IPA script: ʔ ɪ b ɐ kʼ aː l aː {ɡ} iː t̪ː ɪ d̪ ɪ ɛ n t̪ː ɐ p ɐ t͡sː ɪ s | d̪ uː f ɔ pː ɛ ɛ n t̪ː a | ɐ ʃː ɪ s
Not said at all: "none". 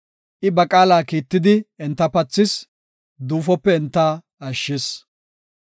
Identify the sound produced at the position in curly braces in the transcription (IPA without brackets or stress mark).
k